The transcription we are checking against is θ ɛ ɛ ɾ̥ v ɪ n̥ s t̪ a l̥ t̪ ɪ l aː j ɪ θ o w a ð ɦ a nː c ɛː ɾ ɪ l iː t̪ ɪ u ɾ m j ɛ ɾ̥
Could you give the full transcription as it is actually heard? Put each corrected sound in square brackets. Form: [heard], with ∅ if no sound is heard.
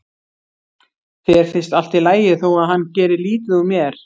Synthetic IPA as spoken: θ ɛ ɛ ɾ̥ [f] ɪ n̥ s t̪ a l̥ t̪ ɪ l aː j ɪ θ o w a ð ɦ a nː c ɛː ɾ ɪ l iː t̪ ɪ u [∅] m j ɛ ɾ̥

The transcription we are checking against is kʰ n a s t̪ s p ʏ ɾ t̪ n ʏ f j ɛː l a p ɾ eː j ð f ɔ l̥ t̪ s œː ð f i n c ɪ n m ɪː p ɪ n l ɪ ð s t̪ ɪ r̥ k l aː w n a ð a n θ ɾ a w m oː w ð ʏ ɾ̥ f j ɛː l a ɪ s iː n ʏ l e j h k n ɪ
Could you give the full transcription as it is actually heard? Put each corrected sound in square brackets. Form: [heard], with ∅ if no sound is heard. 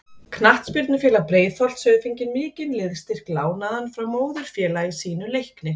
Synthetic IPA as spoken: kʰ n a [h] t̪ s p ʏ ɾ t̪ n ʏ f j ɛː l a p ɾ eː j ð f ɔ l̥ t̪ s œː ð f i [ɲ] c ɪ n m ɪː [c] ɪ n l ɪ ð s t̪ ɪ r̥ k l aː w n a ð a n [f] ɾ a w m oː w ð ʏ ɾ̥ f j ɛː l a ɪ s iː n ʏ l e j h k n ɪ

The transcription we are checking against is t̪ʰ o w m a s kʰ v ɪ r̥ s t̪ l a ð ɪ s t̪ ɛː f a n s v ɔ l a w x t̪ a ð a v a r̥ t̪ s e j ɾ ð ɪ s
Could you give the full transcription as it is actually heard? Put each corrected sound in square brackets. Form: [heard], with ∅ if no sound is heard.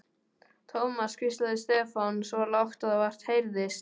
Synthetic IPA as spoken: t̪ʰ o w m a s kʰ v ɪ [∅] s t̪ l a ð ɪ s t̪ ɛː f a n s v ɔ l a w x t̪ a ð a v a r̥ t̪ [h] e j ɾ ð ɪ s

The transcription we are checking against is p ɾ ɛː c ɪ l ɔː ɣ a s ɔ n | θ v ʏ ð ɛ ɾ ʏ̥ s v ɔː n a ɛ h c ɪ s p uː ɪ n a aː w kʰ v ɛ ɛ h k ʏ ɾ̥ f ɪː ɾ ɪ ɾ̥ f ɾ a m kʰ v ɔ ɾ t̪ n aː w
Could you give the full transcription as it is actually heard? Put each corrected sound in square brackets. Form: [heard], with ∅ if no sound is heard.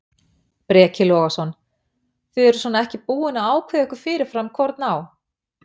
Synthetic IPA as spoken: p ɾ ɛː c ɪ l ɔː ɣ a s ɔ n | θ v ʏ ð ɛ ɾ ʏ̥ s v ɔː n a ɛ h c ɪ [∅] p uː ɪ n a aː w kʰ v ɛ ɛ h k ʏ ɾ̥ f ɪː ɾ ɪ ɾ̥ f ɾ a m kʰ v ɔ ɾ t̪ n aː w

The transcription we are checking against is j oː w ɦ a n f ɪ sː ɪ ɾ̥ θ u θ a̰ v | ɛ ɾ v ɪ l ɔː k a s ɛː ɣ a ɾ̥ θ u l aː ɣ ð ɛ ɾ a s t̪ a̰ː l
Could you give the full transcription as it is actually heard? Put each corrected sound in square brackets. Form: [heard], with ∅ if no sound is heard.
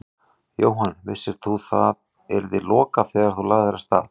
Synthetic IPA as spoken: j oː w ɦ a n [v] ɪ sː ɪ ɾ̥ θ u θ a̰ [ð] | ɛ ɾ [ð] ɪ l ɔː k a [θ] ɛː ɣ a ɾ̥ θ u l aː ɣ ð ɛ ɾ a s t̪ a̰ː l

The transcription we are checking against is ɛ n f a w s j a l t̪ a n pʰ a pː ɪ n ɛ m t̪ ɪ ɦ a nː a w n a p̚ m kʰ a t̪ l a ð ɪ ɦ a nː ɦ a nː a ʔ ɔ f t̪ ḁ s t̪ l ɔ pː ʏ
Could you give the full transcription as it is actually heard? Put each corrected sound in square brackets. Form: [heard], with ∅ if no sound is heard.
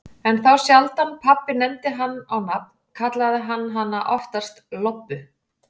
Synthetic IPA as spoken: ɛ n [θ] a w s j a l t̪ a n pʰ a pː ɪ n ɛ m t̪ ɪ ɦ a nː a w n a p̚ [n] kʰ a t̪ l a ð ɪ ɦ a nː ɦ a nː a ʔ ɔ f t̪ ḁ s t̪ l ɔ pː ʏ

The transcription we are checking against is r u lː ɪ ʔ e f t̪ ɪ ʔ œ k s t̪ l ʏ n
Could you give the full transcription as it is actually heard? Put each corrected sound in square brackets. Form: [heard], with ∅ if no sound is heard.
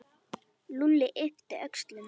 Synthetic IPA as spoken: [l] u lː ɪ ʔ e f t̪ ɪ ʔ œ k s t̪ l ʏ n

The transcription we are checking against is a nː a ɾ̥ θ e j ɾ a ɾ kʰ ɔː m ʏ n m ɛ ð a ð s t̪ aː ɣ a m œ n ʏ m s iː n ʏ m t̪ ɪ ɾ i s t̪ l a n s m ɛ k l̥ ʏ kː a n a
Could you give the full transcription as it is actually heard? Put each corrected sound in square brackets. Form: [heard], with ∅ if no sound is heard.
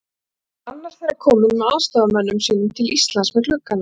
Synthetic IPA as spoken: a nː a ɾ̥ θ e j ɾ a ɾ kʰ ɔː m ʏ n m ɛ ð a ð s t̪ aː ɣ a m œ [nː] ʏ m s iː n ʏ m [t̪ʰ] ɪ [l] i s t̪ l a n s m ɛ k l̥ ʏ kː a n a

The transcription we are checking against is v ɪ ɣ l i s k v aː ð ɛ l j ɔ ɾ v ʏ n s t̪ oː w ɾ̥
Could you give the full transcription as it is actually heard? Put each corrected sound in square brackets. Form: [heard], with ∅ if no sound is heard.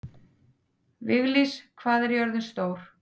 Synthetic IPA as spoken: v ɪ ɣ l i s [kʰ] v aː ð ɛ [ɾ] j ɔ ɾ [ð] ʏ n s t̪ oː w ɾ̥

